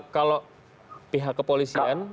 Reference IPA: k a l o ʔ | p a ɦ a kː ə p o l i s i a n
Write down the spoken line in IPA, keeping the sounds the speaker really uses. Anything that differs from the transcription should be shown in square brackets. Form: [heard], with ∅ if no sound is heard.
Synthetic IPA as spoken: k a l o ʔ | p [i] ɦ a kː ə p o l i s i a n